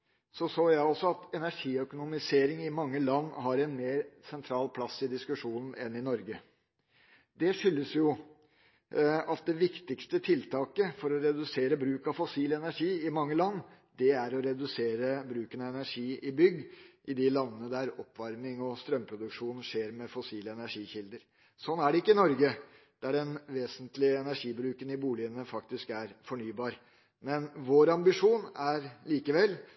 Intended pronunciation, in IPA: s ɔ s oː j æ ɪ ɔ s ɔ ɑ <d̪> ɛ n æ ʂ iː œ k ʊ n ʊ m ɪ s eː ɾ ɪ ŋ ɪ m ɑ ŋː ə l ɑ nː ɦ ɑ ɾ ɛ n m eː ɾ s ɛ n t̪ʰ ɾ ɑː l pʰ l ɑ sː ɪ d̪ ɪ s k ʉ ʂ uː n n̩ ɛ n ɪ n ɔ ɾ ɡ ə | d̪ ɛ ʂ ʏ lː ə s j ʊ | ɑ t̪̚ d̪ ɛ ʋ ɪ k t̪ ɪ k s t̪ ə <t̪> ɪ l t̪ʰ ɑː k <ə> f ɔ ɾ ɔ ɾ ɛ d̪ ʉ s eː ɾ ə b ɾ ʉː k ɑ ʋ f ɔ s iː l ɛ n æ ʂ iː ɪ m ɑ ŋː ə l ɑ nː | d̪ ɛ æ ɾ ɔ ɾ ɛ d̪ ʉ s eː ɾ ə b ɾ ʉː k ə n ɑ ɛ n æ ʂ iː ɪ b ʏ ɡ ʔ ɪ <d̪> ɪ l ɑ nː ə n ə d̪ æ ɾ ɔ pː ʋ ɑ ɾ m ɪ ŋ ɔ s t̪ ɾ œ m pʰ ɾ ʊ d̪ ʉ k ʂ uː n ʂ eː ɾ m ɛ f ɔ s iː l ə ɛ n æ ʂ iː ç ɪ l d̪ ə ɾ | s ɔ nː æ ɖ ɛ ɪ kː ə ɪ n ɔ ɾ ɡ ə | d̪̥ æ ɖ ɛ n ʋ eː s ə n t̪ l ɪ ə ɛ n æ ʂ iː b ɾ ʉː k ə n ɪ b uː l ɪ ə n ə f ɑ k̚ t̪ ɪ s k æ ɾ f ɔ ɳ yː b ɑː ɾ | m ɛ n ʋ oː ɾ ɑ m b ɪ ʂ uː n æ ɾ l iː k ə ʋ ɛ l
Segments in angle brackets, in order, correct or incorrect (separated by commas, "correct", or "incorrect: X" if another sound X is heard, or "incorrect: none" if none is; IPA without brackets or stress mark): incorrect: t̪, incorrect: t̪ʰ, correct, correct